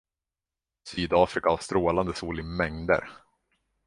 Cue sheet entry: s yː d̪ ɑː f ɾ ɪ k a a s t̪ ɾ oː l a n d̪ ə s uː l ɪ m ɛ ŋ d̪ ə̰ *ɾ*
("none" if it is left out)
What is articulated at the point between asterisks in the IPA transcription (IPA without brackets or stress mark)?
ɾ